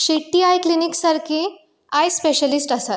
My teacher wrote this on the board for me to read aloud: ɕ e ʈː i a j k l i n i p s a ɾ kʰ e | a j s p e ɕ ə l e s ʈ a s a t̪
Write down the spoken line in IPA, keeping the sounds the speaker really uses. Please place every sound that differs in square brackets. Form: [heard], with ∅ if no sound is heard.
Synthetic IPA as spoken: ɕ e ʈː i a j k l i n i [k] s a ɾ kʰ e | a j s p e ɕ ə l [i] s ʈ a s a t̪